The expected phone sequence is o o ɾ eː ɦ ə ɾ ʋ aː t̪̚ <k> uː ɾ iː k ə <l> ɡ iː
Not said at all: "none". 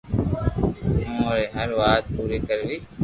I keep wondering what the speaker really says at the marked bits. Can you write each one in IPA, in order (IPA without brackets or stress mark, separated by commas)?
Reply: p, ɾ